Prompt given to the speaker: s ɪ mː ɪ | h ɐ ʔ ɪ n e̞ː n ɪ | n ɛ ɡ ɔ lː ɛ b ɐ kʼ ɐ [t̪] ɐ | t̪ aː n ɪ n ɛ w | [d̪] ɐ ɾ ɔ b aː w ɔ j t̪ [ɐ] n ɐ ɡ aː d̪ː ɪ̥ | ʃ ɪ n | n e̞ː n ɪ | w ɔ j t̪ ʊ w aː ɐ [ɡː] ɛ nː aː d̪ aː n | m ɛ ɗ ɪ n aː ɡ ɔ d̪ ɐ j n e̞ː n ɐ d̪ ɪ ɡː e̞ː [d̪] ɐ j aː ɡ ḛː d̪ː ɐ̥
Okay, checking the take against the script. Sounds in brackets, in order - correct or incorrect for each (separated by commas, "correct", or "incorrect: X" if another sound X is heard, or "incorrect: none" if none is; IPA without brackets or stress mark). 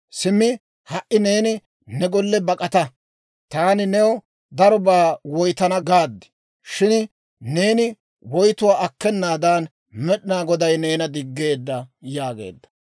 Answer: correct, correct, correct, incorrect: kː, incorrect: d̪ː